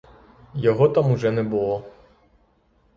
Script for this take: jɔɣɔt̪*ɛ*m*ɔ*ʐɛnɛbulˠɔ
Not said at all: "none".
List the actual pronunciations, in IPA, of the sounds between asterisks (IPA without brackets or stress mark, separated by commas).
a, u